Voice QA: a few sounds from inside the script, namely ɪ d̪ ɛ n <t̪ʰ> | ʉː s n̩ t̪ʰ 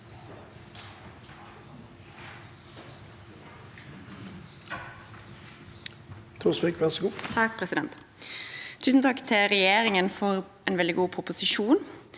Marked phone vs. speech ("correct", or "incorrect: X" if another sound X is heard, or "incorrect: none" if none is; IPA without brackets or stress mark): correct